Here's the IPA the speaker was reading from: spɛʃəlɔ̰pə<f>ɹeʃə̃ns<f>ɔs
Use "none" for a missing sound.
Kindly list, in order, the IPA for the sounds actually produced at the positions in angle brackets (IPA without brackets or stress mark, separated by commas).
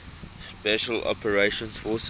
none, f